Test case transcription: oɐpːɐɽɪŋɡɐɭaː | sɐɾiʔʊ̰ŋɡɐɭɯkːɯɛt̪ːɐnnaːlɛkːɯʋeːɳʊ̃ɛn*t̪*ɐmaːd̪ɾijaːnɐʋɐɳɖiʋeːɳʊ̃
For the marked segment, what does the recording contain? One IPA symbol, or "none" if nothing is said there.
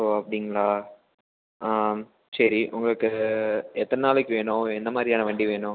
d̪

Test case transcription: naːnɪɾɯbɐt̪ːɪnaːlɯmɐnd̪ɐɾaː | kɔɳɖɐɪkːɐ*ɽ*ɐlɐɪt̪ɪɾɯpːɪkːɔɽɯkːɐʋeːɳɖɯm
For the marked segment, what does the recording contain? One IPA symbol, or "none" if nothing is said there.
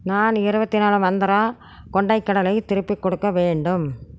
ɽ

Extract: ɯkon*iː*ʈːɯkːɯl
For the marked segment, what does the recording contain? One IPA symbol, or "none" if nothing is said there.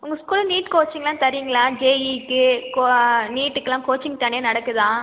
iː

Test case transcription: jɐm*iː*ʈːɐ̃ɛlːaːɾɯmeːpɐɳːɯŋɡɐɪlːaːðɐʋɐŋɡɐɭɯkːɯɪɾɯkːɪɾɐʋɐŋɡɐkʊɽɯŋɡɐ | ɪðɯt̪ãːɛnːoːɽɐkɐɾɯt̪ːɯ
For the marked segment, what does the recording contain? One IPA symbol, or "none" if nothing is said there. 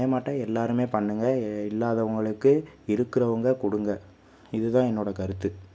aː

